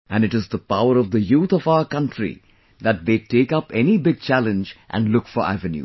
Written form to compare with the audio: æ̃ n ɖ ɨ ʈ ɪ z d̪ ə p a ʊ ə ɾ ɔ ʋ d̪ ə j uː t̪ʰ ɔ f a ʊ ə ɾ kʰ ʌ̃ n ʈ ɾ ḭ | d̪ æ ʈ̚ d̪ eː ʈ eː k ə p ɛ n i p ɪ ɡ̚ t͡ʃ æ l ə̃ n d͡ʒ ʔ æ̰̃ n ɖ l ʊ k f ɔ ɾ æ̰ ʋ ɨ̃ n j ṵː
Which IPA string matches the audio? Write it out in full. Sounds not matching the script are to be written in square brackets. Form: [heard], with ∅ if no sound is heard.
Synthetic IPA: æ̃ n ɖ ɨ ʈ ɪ z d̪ ə p a ʊ ə ɾ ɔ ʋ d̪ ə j uː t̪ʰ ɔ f a ʊ ə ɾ [k] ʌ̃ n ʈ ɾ ḭ | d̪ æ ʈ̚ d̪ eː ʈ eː k [ʌ] p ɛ n i [b] ɪ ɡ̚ t͡ʃ æ l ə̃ n d͡ʒ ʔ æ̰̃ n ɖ l ʊ k f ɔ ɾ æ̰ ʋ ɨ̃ n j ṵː

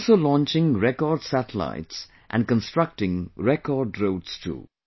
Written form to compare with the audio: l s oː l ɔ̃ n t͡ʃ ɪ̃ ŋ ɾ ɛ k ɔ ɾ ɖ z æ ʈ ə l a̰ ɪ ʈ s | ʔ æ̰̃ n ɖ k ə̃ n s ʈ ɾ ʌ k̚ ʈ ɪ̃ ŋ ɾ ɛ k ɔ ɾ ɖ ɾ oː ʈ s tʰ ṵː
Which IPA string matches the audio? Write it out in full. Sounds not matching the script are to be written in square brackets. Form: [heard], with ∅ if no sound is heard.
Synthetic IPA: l s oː l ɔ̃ n t͡ʃ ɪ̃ ŋ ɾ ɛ k ɔ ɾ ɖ [s] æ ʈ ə l a̰ ɪ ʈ s | ʔ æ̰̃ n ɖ k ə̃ n s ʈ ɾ ʌ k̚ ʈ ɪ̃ ŋ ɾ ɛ k ɔ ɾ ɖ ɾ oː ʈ s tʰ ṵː

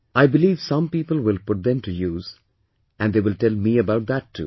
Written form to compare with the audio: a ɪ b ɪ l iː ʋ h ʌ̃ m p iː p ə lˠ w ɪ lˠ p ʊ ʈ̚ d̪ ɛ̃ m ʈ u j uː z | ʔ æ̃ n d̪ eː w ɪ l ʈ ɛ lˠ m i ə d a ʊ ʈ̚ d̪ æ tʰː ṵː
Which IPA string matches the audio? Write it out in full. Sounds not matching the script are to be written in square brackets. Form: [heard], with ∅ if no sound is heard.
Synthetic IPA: a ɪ b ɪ l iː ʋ [s] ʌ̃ m p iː p ə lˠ w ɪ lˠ p ʊ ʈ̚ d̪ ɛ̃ m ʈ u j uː z | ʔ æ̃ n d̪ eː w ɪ l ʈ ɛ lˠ m i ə [b] a ʊ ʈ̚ d̪ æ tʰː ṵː

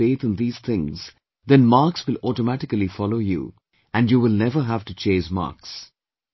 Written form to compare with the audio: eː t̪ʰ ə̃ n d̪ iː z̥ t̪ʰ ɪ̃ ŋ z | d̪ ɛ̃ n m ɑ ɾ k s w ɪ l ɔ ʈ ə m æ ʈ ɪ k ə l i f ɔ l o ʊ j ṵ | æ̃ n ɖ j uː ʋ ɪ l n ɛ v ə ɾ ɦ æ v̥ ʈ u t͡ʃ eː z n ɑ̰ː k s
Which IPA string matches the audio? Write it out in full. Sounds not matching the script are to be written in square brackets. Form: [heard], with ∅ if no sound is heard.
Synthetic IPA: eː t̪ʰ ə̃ n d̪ iː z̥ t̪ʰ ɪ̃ ŋ z | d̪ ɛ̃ n m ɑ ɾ k s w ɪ l ɔ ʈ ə m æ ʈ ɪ k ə l i f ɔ l o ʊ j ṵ | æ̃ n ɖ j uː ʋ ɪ l n ɛ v ə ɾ ɦ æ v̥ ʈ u t͡ʃ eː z [m] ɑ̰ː k s

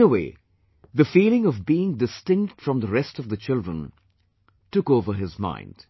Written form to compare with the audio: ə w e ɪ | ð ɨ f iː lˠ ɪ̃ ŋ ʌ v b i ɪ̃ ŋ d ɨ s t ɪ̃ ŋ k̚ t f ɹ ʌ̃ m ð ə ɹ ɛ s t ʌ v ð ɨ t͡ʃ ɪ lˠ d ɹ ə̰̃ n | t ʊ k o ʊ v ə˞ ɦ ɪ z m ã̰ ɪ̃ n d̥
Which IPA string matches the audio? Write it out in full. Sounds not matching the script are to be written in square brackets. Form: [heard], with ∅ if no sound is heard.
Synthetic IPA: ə w e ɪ | ð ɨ f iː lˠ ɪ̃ ŋ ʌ v b i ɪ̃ ŋ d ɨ s t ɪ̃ ŋ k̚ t f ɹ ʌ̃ m ð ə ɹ ɛ s t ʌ v ð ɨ t͡ʃ ɪ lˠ d ɹ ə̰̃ n | t ʊ k o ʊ v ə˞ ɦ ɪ z m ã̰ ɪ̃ n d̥

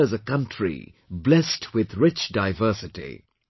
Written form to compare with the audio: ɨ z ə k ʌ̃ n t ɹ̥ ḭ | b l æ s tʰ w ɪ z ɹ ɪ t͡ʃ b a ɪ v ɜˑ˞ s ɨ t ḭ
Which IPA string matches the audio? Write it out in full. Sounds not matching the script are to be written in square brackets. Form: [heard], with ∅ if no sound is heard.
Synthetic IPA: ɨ z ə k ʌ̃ n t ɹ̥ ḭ | b l [ɛ] s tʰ w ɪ [ð] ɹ ɪ t͡ʃ [d] a ɪ v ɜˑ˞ s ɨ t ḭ

